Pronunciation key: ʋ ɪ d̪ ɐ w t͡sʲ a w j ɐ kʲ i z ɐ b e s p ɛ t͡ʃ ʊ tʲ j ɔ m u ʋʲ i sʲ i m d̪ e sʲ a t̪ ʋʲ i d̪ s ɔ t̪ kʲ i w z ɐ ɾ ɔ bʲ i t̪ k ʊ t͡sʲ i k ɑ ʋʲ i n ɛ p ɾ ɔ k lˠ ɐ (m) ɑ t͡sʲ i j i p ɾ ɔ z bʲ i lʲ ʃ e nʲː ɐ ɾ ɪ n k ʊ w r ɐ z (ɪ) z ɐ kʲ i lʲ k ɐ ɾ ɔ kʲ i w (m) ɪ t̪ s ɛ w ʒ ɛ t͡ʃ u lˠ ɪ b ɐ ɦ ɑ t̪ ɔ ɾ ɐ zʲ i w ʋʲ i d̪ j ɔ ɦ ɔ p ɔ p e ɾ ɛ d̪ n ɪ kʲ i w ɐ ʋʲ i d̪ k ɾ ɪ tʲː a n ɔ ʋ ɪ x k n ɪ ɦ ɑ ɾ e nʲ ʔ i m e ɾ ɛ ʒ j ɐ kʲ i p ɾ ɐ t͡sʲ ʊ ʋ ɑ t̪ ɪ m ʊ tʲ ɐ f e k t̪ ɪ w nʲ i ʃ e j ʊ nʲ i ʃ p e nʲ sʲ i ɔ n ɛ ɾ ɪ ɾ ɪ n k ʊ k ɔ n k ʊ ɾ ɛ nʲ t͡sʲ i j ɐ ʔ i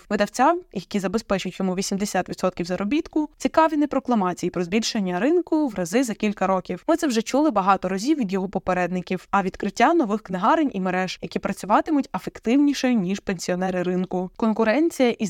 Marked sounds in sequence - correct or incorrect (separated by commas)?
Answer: correct, correct, correct